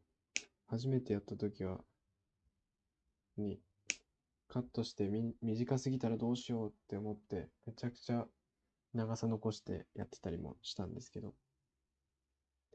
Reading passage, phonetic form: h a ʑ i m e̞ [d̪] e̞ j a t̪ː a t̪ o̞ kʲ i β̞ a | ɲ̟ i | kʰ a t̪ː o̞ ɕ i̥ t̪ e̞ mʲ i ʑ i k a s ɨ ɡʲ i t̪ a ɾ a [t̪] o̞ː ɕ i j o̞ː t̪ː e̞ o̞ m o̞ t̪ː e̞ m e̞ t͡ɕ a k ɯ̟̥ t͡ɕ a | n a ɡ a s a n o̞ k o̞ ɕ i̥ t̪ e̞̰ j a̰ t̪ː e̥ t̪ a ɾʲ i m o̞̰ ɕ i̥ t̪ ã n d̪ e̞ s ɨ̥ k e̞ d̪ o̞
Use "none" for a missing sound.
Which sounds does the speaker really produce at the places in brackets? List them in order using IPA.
t̪, d̪

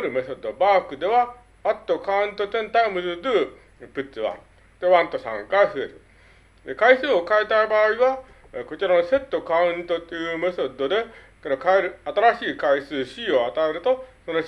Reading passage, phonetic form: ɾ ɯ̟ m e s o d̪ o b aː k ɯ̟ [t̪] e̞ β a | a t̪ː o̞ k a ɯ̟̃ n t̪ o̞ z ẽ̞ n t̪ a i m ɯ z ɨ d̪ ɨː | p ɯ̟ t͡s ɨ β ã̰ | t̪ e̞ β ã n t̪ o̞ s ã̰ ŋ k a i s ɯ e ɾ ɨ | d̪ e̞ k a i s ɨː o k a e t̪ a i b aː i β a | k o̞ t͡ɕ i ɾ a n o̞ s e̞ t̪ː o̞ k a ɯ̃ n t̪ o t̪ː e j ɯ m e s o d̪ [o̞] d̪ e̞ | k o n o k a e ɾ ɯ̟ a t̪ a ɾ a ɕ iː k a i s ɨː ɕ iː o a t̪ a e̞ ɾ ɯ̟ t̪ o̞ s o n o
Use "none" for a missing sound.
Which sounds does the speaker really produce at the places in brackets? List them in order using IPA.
d̪, o̞

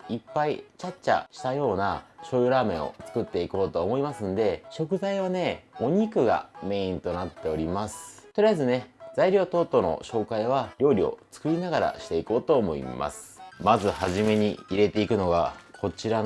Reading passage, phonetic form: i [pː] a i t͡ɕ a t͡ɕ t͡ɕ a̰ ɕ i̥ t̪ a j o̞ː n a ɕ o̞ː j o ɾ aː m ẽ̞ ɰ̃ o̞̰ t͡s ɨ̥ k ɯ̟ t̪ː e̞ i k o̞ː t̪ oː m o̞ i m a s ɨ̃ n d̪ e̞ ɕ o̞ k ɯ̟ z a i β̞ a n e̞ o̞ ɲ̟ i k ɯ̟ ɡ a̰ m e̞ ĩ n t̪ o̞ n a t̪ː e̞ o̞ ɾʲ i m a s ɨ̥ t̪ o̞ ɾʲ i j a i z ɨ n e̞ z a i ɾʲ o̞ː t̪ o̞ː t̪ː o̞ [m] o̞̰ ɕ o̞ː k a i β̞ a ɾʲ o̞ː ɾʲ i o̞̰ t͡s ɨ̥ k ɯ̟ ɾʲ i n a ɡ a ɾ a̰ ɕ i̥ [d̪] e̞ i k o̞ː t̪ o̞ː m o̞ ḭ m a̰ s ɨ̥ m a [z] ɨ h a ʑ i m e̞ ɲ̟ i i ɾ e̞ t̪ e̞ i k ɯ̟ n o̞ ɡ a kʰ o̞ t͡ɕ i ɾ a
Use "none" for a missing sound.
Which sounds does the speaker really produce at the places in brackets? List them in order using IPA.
pː, n, t̪, z

